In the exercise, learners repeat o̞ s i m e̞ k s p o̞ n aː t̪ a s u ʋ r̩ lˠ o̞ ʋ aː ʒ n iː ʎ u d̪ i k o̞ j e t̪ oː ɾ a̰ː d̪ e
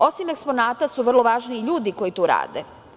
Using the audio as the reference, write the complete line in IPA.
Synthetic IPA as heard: o̞ s i m e̞ k s p o̞ n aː t̪ a s u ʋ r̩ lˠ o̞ ʋ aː ʒ n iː ʎ uː d̪ i k o̞ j i t̪ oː ɾ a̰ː d̪ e